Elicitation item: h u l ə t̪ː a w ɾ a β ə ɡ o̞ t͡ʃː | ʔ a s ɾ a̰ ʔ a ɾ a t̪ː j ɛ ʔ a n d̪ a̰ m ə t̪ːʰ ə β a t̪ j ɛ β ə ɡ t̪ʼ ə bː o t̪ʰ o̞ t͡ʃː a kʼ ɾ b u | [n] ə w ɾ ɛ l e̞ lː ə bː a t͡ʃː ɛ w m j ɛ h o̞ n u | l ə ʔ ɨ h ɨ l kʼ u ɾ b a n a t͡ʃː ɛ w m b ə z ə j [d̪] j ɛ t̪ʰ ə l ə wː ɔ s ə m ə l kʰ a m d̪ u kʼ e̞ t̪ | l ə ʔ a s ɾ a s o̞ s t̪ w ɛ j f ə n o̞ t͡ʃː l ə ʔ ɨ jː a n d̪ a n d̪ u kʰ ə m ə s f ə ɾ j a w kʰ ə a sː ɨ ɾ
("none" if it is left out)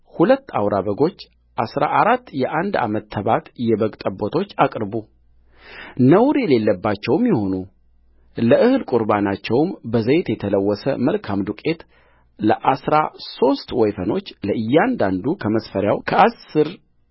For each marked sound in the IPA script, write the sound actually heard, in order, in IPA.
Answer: n, t̪

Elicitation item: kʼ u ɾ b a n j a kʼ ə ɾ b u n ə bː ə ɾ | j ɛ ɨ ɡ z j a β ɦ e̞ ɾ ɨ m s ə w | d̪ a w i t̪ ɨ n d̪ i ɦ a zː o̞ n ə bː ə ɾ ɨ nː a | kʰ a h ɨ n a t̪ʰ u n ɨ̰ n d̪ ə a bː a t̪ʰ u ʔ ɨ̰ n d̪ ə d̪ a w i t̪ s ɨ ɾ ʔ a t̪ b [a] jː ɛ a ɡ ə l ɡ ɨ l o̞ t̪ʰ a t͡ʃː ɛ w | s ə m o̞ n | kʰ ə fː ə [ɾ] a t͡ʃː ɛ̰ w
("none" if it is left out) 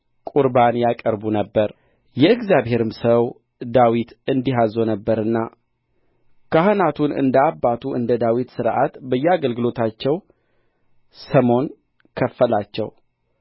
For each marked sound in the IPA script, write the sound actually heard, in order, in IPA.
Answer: ə, l

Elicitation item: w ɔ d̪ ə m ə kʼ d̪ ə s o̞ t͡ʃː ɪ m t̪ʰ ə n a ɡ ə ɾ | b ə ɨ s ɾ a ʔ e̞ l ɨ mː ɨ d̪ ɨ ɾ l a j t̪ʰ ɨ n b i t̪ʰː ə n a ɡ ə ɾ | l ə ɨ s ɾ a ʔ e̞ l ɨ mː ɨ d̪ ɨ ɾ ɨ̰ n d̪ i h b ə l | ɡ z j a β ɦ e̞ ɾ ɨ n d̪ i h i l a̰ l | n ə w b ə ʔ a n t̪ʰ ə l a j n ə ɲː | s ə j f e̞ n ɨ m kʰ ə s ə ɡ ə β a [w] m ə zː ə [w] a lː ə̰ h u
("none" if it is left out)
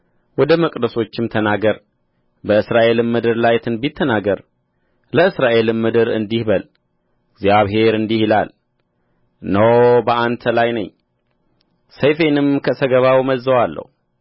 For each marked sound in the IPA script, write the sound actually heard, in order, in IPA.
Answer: w, w

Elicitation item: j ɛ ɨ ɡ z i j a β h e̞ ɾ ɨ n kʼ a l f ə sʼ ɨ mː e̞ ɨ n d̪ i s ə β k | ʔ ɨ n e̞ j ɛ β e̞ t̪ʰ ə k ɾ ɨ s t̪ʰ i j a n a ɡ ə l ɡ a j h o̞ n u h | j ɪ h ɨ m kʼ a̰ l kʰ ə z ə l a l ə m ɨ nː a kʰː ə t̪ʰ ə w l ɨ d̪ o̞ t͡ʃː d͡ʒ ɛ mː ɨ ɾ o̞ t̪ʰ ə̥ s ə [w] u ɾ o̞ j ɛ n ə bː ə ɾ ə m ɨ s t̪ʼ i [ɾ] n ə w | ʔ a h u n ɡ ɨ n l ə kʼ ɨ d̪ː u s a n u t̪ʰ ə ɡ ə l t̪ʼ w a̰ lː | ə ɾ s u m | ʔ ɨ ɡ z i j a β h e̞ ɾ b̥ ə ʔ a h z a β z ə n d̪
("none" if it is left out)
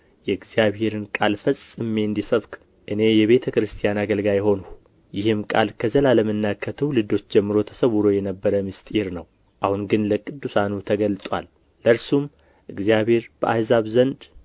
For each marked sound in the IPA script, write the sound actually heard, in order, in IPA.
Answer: β, ɾ

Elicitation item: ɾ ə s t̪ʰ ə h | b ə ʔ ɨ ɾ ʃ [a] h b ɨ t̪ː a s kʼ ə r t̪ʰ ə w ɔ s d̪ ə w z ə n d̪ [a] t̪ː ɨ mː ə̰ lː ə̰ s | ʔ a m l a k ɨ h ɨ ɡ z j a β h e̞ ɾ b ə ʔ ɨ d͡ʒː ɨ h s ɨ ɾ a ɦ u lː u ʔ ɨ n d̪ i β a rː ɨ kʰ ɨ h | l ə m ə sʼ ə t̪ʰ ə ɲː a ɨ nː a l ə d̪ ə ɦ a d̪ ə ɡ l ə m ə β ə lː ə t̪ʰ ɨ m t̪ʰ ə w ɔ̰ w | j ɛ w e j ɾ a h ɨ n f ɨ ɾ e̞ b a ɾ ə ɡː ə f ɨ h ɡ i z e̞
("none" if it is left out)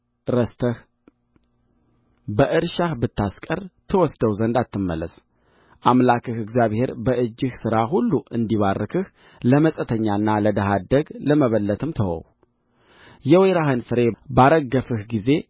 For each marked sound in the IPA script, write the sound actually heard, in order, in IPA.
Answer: a, a

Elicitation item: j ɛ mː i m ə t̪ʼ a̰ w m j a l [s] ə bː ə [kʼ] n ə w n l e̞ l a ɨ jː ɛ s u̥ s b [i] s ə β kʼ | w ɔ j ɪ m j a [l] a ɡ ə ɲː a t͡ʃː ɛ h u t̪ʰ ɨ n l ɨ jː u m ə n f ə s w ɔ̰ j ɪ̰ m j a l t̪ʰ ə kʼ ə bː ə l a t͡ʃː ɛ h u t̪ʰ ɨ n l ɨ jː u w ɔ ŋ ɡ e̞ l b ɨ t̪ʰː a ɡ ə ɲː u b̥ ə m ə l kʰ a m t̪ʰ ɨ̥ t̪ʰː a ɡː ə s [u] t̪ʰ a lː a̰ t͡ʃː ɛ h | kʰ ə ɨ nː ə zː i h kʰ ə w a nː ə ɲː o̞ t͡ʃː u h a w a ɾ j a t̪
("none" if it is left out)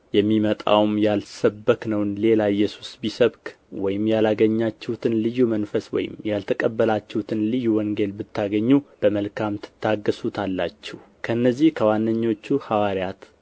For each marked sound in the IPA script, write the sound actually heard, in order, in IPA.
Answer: s, k, i, l, u

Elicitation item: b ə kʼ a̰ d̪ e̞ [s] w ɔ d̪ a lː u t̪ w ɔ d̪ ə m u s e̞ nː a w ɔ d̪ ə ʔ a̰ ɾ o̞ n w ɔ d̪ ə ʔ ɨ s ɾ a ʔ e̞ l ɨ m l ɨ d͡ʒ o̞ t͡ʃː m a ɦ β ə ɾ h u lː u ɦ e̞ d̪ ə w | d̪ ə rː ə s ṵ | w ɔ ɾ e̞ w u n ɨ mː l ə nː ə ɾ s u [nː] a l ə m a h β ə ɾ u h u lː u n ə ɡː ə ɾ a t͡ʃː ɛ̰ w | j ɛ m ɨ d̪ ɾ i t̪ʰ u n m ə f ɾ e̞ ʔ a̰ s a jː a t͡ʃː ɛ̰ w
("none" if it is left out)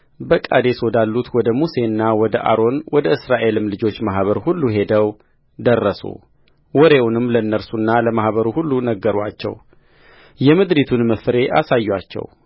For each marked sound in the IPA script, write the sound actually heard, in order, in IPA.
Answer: s, nː

